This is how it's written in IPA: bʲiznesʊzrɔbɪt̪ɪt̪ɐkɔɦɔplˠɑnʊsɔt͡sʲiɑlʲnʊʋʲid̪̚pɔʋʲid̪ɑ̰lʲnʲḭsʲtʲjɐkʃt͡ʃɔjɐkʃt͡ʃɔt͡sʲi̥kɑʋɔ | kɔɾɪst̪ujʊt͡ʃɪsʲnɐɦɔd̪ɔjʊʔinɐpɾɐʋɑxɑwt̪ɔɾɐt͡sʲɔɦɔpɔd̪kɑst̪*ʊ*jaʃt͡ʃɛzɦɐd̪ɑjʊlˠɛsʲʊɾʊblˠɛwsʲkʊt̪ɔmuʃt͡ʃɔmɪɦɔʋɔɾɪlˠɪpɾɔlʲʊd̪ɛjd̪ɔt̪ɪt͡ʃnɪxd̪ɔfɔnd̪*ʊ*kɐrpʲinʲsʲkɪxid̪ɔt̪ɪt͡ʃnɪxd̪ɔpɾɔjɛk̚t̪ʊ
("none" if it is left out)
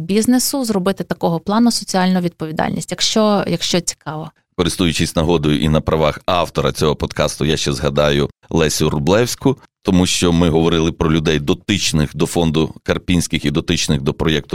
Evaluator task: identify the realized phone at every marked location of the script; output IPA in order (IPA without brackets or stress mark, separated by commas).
ʊ, ʊ